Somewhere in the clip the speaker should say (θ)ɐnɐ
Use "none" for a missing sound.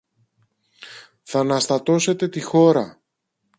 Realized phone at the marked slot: θ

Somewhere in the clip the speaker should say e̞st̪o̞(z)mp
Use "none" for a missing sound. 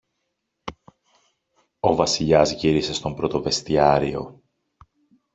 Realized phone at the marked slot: none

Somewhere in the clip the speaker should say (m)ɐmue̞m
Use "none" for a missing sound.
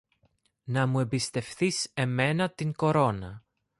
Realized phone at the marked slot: n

